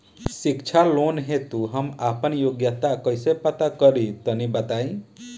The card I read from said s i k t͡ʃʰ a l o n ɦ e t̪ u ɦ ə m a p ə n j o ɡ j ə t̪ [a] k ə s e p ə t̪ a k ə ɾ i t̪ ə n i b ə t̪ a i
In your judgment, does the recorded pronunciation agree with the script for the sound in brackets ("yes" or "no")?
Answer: yes